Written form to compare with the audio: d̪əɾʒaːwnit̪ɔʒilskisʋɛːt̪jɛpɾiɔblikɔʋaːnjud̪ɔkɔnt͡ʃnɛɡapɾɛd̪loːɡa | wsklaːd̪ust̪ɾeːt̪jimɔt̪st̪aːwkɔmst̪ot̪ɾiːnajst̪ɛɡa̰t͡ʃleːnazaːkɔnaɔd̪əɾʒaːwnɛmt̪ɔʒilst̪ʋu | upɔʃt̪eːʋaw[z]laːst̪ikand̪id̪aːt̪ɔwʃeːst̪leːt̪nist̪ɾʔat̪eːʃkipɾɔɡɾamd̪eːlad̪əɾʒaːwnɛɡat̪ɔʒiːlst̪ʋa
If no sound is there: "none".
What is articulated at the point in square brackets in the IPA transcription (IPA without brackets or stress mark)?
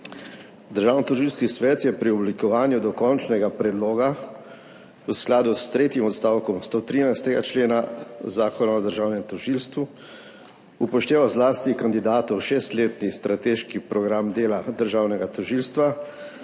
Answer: z